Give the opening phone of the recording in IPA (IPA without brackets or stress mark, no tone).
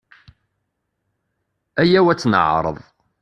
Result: æ